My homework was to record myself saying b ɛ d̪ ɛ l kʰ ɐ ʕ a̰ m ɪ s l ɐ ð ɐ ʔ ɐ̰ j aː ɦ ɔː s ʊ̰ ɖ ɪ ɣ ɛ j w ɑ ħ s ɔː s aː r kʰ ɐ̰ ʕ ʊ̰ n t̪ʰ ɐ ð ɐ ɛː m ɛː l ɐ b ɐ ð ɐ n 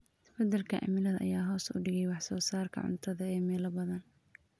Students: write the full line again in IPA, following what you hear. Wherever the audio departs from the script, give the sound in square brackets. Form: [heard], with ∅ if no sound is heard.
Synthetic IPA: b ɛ d̪ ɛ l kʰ ɐ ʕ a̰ m ɪ [∅] l ɐ ð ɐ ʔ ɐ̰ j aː ɦ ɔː s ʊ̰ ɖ ɪ ɣ ɛ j w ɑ ħ s ɔː s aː r kʰ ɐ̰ ʕ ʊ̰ n t̪ʰ ɐ ð ɐ ɛː m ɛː l ɐ b ɐ ð ɐ n